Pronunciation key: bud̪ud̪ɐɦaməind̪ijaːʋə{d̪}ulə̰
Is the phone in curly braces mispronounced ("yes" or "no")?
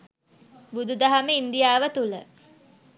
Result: yes